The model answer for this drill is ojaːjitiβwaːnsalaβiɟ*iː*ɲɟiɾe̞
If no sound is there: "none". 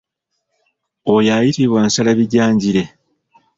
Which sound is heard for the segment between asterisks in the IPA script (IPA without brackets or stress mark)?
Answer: aː